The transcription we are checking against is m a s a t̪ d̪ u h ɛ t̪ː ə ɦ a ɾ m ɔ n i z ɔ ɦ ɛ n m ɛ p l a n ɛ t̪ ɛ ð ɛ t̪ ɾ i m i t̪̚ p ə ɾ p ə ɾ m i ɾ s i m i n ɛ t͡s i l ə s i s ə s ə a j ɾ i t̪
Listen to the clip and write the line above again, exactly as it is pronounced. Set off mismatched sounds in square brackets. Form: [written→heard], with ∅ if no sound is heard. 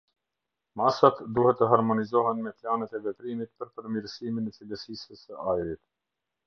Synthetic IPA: m a s a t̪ d̪ u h ɛ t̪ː ə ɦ a ɾ m ɔ n i z ɔ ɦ ɛ n m ɛ p l a n ɛ t̪ ɛ [ð→v] ɛ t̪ ɾ i m i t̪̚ p ə ɾ p ə ɾ m i ɾ s i m i n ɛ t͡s i l ə s i s ə s ə a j ɾ i t̪